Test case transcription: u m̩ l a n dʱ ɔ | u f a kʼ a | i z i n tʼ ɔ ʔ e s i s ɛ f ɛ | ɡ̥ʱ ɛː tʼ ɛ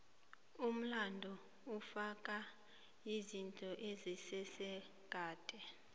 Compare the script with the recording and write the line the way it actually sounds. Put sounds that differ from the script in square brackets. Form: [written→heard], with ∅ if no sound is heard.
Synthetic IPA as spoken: u m̩ l a n dʱ ɔ | u f a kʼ a | i z i n tʼ ɔ ʔ e [s→z] i s ɛ [f→s] ɛ | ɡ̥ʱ [ɛː→aː] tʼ ɛ